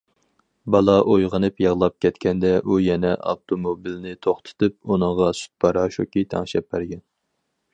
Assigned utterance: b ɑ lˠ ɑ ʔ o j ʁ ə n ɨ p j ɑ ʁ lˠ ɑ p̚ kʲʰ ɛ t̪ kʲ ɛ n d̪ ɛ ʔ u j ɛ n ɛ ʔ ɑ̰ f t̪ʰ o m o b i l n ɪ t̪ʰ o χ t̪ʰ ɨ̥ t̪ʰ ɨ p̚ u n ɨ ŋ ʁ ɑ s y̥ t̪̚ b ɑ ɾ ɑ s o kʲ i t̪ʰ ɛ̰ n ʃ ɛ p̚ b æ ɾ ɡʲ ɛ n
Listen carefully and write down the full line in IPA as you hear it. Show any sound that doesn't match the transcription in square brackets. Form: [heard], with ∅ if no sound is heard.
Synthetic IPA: b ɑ lˠ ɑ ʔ o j ʁ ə n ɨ p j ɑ ʁ lˠ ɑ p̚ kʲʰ ɛ t̪ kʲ ɛ n d̪ ɛ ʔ u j ɛ n ɛ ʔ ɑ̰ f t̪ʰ o m o b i l n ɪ t̪ʰ o χ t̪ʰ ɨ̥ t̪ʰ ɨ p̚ u n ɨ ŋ ʁ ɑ s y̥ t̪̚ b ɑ ɾ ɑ [ʃ] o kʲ i t̪ʰ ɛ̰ [ŋ] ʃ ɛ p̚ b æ ɾ ɡʲ ɛ n